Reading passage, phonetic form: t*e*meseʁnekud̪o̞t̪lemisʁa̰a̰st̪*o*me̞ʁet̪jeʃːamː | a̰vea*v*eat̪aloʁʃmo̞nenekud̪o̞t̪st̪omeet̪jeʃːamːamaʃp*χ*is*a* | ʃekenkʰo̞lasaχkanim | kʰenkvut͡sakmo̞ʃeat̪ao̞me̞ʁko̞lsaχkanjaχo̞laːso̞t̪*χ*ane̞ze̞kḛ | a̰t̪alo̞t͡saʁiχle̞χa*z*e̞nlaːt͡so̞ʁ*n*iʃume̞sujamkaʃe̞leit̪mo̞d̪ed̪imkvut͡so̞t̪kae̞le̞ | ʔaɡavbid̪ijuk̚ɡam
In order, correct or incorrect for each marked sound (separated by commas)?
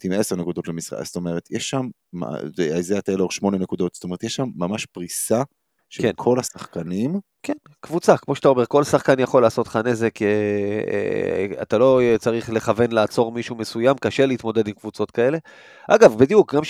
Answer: incorrect, correct, incorrect, incorrect, correct, correct, incorrect, incorrect